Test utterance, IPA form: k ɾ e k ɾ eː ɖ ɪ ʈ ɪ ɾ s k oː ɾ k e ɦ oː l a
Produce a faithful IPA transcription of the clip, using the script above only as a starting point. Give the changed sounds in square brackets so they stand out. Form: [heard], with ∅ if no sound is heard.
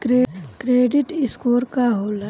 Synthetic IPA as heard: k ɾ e k ɾ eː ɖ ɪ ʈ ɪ [∅] s k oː ɾ k [a] ɦ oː l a